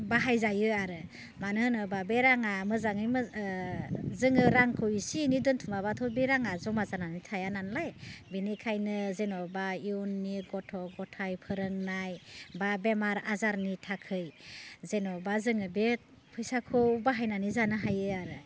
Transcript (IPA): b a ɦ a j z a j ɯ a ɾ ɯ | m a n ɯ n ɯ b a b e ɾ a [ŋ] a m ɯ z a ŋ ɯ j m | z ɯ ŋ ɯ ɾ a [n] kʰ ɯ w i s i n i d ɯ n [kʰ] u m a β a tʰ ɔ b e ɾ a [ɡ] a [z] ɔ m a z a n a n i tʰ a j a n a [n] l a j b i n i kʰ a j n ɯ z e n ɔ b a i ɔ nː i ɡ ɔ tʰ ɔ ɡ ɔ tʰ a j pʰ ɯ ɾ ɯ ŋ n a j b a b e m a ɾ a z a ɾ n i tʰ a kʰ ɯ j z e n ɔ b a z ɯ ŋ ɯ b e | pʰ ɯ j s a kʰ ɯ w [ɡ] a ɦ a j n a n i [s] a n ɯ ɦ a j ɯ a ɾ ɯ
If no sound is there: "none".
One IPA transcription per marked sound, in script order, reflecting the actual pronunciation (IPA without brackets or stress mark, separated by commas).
ŋ, ŋ, tʰ, ŋ, z, n, b, z